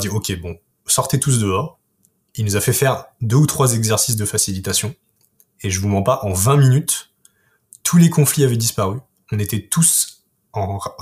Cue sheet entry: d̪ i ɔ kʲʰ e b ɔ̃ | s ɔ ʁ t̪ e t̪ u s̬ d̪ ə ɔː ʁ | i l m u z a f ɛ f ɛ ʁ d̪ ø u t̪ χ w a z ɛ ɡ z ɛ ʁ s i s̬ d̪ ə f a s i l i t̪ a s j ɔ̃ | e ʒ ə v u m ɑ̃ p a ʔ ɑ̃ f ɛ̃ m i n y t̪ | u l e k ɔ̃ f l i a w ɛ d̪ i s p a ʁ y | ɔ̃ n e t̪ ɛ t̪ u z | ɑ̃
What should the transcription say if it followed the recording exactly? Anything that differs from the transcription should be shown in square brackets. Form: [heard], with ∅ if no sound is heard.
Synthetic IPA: d̪ i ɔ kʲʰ e b ɔ̃ | s ɔ ʁ t̪ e t̪ u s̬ d̪ ə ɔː ʁ | i l [n] u z a f ɛ f ɛ ʁ d̪ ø u t̪ χ w a z ɛ ɡ z ɛ ʁ s i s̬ d̪ ə f a s i l i t̪ a s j ɔ̃ | e ʒ ə v u m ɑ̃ p a ʔ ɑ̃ [v] ɛ̃ m i n y t̪ | u l e k ɔ̃ f l i a [v] ɛ d̪ i s p a ʁ y | ɔ̃ n e t̪ ɛ t̪ u [s] | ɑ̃